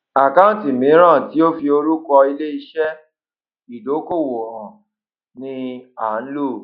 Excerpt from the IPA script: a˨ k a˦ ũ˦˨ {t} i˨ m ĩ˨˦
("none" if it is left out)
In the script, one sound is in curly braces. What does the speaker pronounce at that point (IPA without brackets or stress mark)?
t